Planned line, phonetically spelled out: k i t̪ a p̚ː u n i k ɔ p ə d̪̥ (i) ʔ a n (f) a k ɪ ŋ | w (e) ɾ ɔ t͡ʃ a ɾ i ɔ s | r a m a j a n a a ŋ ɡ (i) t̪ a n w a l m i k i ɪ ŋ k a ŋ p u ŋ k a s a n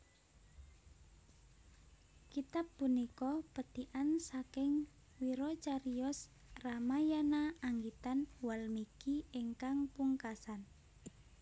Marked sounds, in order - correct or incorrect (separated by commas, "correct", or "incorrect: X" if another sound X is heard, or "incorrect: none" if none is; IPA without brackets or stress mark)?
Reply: correct, incorrect: s, incorrect: i, correct